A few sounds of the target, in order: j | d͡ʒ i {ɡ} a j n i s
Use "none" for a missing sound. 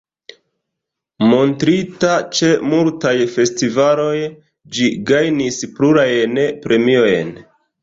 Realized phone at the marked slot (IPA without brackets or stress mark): ɡ